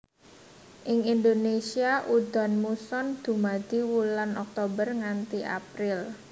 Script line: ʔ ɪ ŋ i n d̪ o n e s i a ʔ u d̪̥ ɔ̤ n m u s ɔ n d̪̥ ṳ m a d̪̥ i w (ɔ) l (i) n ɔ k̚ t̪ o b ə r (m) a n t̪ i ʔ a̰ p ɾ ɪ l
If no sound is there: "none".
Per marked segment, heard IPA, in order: u, a, ŋ

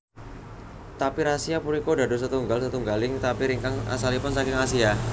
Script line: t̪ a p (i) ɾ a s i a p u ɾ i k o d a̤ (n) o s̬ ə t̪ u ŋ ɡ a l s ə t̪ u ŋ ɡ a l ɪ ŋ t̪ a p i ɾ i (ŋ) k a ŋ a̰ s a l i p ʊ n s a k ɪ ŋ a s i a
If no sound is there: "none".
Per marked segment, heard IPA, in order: i, d, ŋ

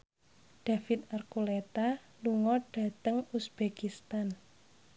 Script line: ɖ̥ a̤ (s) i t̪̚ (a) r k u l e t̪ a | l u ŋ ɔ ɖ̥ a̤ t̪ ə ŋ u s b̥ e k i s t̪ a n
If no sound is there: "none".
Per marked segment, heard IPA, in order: f, a

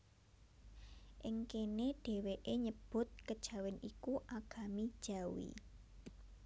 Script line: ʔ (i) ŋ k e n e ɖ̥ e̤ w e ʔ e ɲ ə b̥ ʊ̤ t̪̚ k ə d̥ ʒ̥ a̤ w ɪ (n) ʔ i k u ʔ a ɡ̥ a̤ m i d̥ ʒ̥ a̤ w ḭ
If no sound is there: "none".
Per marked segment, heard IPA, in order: ɪ, n

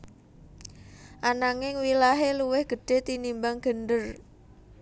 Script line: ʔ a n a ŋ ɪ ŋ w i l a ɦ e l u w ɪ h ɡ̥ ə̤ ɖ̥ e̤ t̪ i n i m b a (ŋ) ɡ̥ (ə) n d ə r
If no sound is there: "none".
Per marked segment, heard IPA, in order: ŋ, ə

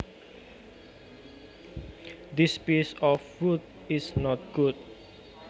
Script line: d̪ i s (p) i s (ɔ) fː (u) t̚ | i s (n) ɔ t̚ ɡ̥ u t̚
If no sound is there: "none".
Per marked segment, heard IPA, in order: p, ɔ, u, n

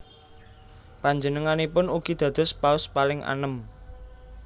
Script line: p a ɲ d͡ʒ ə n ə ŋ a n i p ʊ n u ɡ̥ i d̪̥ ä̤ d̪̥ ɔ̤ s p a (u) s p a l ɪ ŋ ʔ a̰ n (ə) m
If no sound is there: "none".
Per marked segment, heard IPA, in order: ʊ, ə

